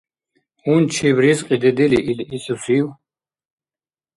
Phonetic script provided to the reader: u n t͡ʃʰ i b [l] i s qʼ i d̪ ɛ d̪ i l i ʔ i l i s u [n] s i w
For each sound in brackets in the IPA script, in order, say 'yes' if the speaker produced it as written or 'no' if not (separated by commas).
no, no